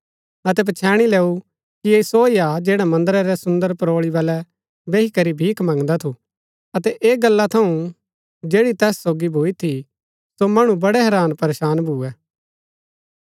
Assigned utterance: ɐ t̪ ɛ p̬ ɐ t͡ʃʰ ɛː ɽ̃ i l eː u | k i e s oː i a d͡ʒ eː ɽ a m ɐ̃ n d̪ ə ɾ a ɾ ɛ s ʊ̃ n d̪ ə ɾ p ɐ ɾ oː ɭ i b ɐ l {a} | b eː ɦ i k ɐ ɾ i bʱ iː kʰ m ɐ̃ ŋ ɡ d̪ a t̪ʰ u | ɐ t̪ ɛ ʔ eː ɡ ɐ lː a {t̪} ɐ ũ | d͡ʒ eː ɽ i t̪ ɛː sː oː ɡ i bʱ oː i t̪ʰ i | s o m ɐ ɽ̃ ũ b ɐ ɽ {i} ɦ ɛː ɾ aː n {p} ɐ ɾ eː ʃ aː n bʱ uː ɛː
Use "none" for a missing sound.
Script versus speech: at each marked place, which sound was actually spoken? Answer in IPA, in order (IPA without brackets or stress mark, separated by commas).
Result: ɛ, t̪ʰ, ɛ, p